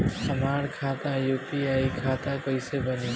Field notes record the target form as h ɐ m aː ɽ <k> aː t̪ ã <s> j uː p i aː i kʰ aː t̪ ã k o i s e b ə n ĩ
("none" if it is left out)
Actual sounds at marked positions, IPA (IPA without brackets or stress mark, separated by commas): kʰ, none